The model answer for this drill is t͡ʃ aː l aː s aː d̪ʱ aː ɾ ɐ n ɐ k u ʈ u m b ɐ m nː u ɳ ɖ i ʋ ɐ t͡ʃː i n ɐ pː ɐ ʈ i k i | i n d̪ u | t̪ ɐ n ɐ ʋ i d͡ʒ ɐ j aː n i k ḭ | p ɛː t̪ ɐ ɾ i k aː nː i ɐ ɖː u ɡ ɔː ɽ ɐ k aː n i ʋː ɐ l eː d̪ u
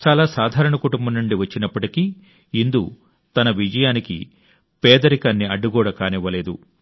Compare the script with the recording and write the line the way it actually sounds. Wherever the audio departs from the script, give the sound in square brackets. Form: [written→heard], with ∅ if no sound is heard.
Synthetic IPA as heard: t͡ʃ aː l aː s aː d̪ʱ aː ɾ ɐ [n→ɳ] ɐ k u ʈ u m b ɐ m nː u ɳ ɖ i ʋ ɐ t͡ʃː i n ɐ pː ɐ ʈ i k i | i n d̪ u | t̪ ɐ n ɐ ʋ i d͡ʒ ɐ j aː n i k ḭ | p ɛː [t̪→d̪] ɐ ɾ i k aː nː i ɐ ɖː u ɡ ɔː ɽ ɐ k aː n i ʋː ɐ l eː d̪ u